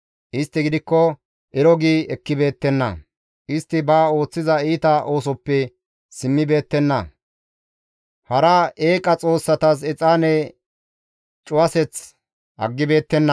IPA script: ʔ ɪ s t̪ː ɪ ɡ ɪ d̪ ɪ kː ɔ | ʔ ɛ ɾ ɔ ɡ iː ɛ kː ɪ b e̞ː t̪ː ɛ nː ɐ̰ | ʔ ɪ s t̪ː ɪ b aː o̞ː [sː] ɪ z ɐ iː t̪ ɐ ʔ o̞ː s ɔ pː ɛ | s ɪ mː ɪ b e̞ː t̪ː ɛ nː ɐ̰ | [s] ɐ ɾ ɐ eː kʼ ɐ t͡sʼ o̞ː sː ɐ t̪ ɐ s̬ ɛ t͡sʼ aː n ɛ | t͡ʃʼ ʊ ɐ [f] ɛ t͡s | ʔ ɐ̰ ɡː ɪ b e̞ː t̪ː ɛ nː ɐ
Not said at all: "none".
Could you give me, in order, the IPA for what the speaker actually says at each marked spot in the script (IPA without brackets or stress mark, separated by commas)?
t͡sː, h, s